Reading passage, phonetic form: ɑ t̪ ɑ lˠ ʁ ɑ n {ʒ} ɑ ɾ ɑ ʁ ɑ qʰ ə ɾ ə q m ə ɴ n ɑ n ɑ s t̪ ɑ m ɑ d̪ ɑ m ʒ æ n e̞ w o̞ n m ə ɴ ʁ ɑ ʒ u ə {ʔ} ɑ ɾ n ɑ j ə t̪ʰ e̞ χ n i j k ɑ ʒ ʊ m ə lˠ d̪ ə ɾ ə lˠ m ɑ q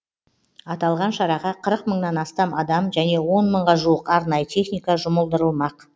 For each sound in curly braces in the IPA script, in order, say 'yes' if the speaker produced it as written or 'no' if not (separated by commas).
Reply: no, no